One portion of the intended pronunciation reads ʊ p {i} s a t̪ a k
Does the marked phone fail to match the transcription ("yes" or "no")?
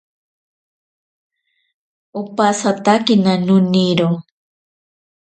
yes